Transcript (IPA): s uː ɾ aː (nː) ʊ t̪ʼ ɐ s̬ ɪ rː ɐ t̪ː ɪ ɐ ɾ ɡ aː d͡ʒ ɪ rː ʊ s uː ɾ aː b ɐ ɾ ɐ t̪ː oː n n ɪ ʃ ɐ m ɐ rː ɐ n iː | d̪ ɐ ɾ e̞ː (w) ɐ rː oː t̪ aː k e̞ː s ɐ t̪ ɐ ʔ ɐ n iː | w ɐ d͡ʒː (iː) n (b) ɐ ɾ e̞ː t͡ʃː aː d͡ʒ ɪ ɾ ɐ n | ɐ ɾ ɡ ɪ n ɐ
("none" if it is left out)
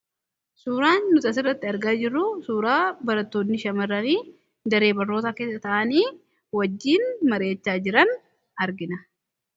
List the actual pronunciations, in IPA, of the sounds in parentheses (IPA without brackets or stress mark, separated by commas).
nː, b, iː, m